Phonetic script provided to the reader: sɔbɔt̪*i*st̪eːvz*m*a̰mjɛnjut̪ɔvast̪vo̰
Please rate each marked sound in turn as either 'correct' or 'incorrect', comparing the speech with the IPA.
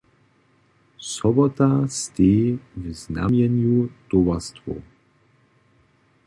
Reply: incorrect: a, incorrect: n

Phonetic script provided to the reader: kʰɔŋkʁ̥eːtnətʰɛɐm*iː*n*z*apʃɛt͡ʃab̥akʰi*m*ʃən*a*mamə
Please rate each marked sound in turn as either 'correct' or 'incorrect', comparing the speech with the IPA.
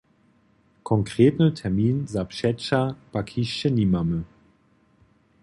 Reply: correct, correct, incorrect: none, incorrect: i

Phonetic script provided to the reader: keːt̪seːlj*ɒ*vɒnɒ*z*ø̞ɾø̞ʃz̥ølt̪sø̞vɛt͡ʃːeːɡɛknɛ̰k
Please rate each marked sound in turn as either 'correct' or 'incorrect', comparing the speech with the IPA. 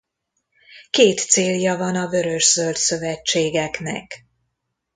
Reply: correct, incorrect: v

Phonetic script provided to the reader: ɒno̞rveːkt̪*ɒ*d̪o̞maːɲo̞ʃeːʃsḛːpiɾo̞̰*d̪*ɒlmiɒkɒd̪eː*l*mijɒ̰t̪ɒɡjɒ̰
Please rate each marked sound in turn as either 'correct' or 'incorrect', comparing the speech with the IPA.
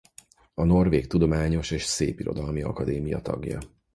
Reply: incorrect: u, correct, incorrect: none

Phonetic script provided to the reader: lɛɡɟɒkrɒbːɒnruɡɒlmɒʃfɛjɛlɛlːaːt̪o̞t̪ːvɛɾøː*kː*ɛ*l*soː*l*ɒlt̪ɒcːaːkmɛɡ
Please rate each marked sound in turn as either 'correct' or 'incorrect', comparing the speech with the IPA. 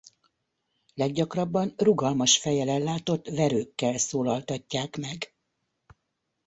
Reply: correct, correct, correct

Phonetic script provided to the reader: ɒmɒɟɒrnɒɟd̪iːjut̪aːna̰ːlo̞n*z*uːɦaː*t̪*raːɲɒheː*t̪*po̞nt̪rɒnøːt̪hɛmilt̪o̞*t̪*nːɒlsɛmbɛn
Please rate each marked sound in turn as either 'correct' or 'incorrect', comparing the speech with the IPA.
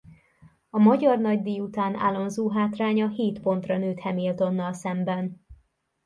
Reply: correct, correct, correct, incorrect: none

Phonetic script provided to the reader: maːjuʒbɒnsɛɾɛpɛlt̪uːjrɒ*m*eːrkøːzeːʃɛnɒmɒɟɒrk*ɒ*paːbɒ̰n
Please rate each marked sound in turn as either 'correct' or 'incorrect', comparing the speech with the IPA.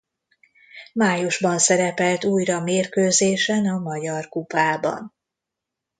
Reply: correct, incorrect: u

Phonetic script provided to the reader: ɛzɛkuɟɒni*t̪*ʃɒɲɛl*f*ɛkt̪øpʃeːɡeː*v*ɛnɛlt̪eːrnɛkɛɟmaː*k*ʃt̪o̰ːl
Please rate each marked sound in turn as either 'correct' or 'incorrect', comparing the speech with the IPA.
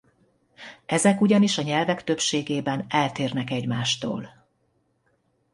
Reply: incorrect: none, incorrect: v, incorrect: b, incorrect: none

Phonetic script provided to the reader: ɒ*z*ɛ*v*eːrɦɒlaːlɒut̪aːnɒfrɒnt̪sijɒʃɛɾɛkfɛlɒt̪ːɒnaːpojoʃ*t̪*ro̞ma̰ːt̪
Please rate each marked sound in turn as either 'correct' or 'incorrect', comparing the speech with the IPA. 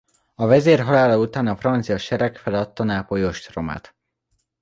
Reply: incorrect: v, incorrect: z, correct

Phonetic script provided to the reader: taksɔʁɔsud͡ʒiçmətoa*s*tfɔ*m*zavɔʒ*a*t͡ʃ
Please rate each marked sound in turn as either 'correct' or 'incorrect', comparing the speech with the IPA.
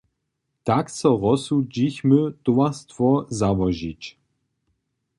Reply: correct, incorrect: none, incorrect: i

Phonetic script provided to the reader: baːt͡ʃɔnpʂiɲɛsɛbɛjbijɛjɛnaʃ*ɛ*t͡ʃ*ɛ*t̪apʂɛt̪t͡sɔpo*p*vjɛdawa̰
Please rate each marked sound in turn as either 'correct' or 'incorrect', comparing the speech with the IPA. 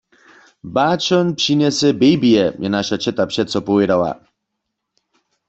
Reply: incorrect: a, correct, incorrect: none

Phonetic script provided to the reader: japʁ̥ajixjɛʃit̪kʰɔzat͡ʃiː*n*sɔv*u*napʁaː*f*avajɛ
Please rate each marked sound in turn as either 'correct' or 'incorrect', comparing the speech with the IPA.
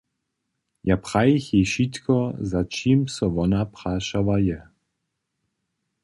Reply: incorrect: m, incorrect: ɔ, incorrect: ʃ

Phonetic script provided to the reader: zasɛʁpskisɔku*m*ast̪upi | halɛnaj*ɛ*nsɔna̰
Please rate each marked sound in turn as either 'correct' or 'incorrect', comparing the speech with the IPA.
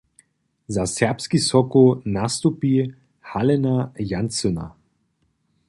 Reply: incorrect: n, incorrect: a

